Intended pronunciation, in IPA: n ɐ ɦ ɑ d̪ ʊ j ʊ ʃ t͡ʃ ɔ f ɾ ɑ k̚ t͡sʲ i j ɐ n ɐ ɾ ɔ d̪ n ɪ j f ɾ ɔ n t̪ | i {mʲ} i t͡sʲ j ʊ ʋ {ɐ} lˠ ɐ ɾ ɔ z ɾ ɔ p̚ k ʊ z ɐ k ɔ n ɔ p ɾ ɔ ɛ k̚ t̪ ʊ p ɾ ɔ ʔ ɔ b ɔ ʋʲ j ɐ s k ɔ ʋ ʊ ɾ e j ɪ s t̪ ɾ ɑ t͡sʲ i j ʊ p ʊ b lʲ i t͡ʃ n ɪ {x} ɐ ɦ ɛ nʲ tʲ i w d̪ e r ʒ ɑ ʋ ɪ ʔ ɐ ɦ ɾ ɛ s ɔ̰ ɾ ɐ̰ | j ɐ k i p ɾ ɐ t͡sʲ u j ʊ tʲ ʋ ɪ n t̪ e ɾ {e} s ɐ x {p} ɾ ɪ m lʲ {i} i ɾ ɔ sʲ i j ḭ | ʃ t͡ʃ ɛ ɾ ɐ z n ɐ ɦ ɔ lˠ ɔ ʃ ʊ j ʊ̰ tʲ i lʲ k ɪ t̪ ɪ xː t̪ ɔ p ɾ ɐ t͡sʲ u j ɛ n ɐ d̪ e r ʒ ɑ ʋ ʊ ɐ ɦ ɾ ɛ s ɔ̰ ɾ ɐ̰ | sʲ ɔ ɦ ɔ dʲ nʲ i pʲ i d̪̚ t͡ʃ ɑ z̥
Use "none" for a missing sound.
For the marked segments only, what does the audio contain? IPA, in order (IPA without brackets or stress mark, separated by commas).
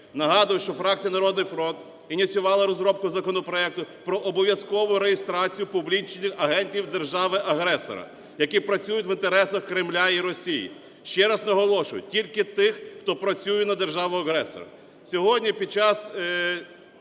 nʲ, ɑ, x, ɛ, k, a